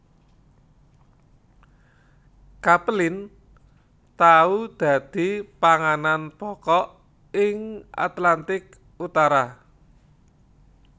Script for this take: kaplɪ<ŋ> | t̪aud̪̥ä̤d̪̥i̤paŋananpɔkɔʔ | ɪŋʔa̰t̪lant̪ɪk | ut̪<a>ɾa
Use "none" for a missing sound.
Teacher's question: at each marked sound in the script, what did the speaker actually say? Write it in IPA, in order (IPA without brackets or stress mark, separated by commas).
n, a